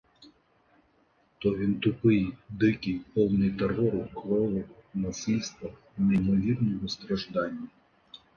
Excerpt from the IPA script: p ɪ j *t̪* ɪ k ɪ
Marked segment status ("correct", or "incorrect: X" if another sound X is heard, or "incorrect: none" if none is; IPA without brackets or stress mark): incorrect: d̪